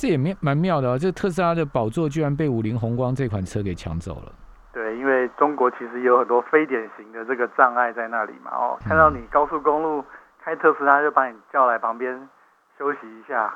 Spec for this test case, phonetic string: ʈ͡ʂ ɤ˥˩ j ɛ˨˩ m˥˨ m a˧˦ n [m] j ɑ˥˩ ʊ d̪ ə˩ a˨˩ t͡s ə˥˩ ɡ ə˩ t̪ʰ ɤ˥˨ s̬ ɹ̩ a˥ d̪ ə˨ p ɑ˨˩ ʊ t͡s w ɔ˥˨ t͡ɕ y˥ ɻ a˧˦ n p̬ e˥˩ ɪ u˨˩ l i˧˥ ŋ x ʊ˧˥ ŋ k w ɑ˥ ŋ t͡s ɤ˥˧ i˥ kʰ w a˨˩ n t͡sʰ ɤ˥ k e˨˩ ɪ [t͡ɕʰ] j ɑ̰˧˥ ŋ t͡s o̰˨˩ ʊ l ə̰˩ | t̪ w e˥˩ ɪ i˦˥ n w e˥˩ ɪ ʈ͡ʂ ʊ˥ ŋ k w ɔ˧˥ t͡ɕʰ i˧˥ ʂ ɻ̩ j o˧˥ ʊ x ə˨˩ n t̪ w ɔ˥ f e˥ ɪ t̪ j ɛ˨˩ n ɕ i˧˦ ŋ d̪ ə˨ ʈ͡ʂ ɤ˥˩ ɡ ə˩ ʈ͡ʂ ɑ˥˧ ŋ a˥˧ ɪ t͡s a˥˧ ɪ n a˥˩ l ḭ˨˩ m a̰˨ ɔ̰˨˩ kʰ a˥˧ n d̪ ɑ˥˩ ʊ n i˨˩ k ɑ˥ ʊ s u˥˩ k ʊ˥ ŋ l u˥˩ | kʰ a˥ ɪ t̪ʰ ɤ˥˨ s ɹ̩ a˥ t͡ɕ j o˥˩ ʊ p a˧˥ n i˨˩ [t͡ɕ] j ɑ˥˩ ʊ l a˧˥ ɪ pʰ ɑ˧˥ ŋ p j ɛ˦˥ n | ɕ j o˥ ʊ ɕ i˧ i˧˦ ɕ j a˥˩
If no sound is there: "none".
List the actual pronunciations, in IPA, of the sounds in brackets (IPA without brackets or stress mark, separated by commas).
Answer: m, t͡ɕʰ, t͡ɕ